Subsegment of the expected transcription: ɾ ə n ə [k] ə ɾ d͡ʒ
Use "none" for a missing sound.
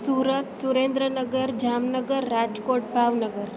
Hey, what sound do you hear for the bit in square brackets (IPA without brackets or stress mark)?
ɡ